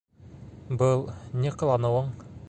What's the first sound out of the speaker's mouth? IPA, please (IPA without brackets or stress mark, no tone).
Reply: b